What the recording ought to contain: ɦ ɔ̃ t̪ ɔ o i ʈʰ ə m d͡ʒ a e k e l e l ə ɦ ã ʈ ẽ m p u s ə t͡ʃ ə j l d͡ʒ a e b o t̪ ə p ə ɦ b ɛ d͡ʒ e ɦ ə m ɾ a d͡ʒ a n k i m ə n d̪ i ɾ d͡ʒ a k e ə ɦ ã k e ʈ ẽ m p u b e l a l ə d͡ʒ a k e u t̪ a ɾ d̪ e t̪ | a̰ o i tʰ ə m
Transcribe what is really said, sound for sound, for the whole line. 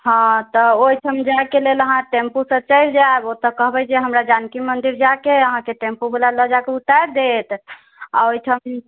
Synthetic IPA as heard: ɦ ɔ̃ t̪ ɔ o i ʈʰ ə m d͡ʒ a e k e l e l ə ɦ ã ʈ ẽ m p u s ə t͡ʃ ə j l d͡ʒ a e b o t̪ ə k ə ɦ b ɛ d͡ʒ e ɦ ə m ɾ a d͡ʒ a n k i m ə n d̪ i ɾ d͡ʒ a k e ə ɦ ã k e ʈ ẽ m p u b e l a l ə d͡ʒ a k e u t̪ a ɾ d̪ e t̪ | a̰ o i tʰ ə m